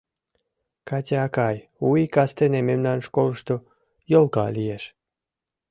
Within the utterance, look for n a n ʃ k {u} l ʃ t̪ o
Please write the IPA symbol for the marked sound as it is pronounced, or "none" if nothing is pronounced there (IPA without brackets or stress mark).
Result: o